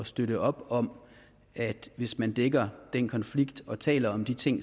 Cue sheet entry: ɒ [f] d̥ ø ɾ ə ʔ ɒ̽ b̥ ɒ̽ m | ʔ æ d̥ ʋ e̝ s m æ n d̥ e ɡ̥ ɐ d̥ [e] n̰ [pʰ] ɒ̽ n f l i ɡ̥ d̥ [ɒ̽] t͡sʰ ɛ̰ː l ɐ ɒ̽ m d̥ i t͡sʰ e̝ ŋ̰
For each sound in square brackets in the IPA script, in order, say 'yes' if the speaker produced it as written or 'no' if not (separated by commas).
no, yes, no, yes